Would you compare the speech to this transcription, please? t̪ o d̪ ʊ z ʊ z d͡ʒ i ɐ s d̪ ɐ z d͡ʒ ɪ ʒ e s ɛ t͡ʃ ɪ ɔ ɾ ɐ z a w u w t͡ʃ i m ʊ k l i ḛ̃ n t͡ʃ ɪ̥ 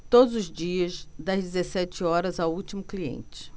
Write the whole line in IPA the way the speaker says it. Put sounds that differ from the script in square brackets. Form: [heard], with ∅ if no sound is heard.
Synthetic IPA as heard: t̪ o d̪ ʊ z ʊ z d͡ʒ i ɐ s d̪ ɐ z d͡ʒ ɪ [z] e s ɛ t͡ʃ ɪ ɔ ɾ ɐ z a w u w t͡ʃ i m ʊ k l i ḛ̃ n t͡ʃ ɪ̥